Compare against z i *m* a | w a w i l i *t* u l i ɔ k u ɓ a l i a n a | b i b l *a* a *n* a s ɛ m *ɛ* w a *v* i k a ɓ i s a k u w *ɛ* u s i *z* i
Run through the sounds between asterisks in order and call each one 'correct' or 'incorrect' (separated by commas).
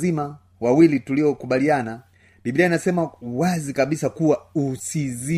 correct, correct, incorrect, correct, incorrect, incorrect, incorrect, correct